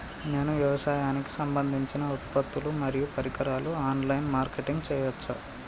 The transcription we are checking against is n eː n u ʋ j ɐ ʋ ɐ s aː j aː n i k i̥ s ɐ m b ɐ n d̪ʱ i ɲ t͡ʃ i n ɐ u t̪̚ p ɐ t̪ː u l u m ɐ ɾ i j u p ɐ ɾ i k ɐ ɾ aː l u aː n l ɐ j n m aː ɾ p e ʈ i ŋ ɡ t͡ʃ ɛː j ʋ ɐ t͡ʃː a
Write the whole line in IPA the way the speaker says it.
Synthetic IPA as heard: n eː n u ʋ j ɐ ʋ ɐ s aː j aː n i k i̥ s ɐ m b ɐ n d̪ʱ i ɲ t͡ʃ i n ɐ u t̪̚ p ɐ t̪ː u l u m ɐ ɾ i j u p ɐ ɾ i k ɐ ɾ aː l u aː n l ɐ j n m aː ɾ k e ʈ i ŋ ɡ t͡ʃ ɛː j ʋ ɐ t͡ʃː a